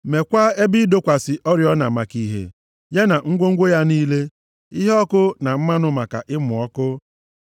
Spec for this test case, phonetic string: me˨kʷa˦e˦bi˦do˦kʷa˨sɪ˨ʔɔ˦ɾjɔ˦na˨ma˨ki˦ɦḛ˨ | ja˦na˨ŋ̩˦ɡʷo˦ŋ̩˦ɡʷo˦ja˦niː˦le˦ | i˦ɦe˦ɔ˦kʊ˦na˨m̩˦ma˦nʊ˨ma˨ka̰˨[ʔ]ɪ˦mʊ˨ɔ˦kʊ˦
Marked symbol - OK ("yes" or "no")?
yes